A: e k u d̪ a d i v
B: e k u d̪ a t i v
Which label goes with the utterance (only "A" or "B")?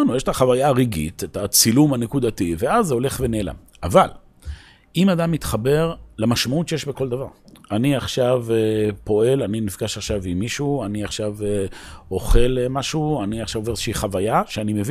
B